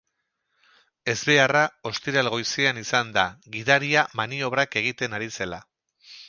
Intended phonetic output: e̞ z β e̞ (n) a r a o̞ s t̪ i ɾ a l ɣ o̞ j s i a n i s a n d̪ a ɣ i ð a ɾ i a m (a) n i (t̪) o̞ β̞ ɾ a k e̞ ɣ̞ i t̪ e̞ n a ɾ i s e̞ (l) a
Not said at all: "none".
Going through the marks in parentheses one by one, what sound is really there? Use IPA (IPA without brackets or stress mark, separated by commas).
none, a, none, l